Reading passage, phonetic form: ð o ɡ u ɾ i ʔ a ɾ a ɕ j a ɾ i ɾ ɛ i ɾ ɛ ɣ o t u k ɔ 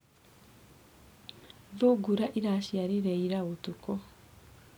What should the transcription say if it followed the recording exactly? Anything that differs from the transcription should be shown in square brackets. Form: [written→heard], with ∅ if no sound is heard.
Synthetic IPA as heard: ð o ɡ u ɾ [i→a] ʔ [a→i] ɾ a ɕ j a ɾ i ɾ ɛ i ɾ [ɛ→a] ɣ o t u k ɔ